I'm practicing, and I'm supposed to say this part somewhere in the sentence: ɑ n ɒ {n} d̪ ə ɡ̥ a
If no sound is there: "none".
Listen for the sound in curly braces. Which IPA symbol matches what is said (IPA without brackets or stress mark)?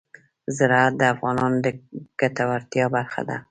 n